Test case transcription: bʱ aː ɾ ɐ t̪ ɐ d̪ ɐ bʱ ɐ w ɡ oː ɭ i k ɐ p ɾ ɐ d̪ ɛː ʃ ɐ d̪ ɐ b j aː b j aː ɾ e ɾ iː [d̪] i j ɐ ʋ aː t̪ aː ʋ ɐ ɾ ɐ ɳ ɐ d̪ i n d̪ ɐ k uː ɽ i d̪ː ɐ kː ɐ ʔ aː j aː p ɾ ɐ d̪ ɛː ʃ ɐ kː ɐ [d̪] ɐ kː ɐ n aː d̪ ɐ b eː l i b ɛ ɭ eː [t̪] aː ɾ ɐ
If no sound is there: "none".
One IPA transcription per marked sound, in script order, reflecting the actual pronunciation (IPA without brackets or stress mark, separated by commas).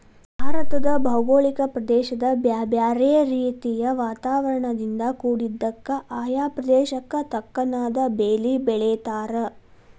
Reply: t̪, t̪, t̪